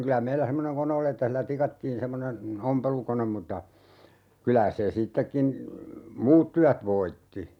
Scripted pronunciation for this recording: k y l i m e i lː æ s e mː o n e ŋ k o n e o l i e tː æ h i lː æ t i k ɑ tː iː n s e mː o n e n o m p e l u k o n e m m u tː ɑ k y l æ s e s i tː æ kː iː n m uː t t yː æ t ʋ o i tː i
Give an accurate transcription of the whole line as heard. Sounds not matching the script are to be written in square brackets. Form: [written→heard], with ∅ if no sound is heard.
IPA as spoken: k y l [i→æ] m e i lː æ s e mː o n e ŋ k o n e o l i e tː æ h i lː æ t i k ɑ tː iː n s e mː o n e n o m p e l u k o n e m m u tː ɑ k y l æ s e s i tː [æ→e] kː [iː→i] n m uː t t [yː→y] æ t ʋ o i tː i

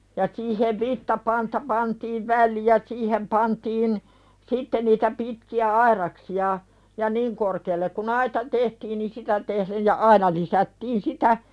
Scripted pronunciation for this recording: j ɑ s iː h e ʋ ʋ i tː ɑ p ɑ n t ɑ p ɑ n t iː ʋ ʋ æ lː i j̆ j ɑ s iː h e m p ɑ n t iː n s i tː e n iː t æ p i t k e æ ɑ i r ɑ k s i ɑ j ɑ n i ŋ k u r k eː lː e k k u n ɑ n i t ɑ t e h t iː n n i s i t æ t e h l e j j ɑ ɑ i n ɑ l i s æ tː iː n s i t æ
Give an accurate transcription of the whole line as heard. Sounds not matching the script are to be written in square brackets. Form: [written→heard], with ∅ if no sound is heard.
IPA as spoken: j ɑ s iː h e ʋ ʋ i tː ɑ p ɑ n t ɑ p ɑ n t iː ʋ ʋ æ lː i j̆ j ɑ s iː h e m p ɑ n t iː n s i tː e n iː t æ p i t k [e→i] æ ɑ i r ɑ k s i ɑ j ɑ n i ŋ k [u→o] r k eː lː e k k u n ɑ [n→∅] i t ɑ t e h t iː n n i s i t æ t e h l e j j ɑ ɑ i n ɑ l i s æ tː iː n s i t æ

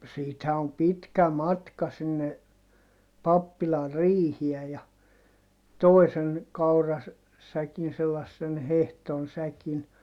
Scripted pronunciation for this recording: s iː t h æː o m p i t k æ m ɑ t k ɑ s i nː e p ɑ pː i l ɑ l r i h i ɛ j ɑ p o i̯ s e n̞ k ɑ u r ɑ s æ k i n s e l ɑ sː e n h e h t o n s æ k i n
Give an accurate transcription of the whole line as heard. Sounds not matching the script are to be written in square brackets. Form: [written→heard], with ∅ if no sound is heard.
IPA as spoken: s iː t h [æː→æ] o m p i t k æ m ɑ t k ɑ s i nː e p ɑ pː i l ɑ [l→r] r [i→iː] h i ɛ j ɑ [p→t] o i̯ s e n̞ k ɑ u r ɑ s æ k i n s e l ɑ sː e n h e h t o n s æ k i n

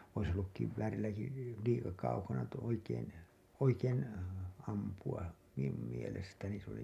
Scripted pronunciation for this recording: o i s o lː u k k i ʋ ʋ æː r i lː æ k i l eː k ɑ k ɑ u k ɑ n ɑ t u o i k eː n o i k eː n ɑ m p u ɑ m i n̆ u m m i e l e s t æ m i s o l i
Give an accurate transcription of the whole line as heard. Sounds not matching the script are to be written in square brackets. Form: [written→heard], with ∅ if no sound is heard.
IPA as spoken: o i s o lː u k k i ʋ ʋ æː r i lː æ k i l [eː→iː] k ɑ k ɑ u k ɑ n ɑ t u o i k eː n o i k eː n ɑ m p u ɑ m i n̆ u m m i e l e s t æ [m→n] i s o l i

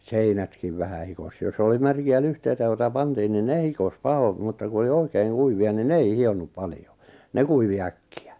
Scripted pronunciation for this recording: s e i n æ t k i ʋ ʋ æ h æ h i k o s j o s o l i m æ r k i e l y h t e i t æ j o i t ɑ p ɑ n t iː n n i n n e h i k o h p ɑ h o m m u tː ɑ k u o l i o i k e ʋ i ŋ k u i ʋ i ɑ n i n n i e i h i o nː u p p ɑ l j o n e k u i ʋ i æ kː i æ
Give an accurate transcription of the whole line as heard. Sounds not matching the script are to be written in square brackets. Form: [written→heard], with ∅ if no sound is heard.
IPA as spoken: s e i n æ t k i ʋ ʋ æ h æ h i k o s j o s o l i m æ r k i [e→æ] l y h t e i t æ j o i t ɑ p ɑ n t iː n n i n n e h i k o [h→s] p ɑ h o m m u tː ɑ k u o l i o i k e [ʋ→∅] i ŋ k u i ʋ i ɑ n i n n [i→e] e i h i o nː u p p ɑ l j o n e k u i ʋ i æ kː i æ

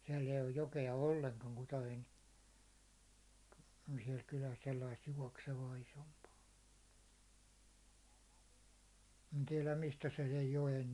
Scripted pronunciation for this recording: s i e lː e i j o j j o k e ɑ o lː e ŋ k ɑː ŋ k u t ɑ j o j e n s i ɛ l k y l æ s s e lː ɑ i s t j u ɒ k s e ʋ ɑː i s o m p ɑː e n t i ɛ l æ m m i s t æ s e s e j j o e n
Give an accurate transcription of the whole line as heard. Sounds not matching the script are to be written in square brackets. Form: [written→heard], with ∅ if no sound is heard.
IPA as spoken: s i [e→ɛ] lː e i j o j j o k e ɑ o lː e ŋ k [ɑː→ɑ] ŋ k u t ɑ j o [j→∅] e n s i ɛ l k y l æ s s e lː ɑ i s t j u ɒ k s e ʋ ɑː i s o m p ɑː e n t i ɛ l æ m m i s t æ s e s e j j o e n

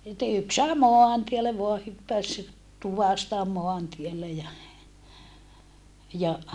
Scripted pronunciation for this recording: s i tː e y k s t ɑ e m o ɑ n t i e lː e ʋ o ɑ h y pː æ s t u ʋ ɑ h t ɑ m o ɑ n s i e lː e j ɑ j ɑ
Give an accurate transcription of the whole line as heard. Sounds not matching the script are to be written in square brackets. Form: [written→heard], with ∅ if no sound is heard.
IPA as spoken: s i tː e y k s [t→s] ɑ e m o ɑ n t i e lː e ʋ o ɑ h y pː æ s t u ʋ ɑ [h→s] t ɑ m o ɑ n [s→t] i e lː e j ɑ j ɑ

